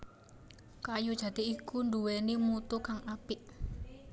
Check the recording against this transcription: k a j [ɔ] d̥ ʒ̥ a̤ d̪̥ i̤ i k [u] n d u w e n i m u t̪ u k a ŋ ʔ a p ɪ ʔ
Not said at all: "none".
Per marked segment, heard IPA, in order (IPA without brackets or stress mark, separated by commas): u, u